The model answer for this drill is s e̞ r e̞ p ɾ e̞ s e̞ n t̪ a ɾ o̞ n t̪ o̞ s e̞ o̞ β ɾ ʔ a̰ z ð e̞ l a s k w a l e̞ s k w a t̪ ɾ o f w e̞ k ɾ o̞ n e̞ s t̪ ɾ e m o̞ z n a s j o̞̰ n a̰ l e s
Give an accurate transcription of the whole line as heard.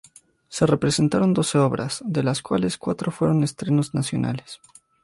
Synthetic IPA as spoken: s e̞ r e̞ p ɾ e̞ s e̞ n t̪ a ɾ o̞ n d̪ o̞ s e̞ o̞ β ɾ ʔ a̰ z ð e̞ l a s k w a l e̞ s k w a t̪ ɾ o f w e̞ ɾ o̞ n e̞ s t̪ ɾ e n o̞ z n a s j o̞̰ n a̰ l e s